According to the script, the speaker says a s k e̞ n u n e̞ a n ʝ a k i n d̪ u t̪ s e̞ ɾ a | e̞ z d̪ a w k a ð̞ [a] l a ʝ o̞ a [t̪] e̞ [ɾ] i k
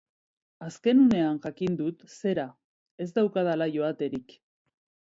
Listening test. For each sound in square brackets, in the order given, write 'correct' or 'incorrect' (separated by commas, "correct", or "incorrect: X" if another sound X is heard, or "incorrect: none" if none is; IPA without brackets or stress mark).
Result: correct, correct, correct